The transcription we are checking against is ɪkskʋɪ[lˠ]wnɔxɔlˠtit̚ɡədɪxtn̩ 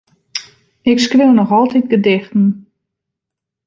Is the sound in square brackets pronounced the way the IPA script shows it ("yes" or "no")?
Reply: no